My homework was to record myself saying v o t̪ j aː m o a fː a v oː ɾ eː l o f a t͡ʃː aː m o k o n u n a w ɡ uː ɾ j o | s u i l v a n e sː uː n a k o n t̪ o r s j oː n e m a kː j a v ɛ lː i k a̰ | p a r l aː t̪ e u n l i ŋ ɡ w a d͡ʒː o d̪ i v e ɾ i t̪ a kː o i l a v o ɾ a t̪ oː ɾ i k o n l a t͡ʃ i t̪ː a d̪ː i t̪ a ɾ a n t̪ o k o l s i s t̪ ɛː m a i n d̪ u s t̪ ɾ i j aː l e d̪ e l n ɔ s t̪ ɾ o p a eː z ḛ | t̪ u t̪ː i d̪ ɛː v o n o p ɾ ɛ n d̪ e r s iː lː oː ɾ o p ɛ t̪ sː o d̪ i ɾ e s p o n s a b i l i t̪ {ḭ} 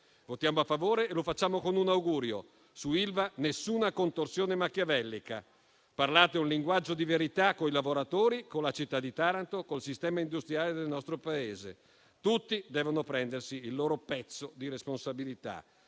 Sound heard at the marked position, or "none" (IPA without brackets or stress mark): a̰